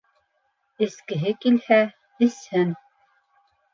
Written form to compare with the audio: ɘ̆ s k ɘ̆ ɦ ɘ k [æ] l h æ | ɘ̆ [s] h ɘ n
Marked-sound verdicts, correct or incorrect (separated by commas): incorrect, correct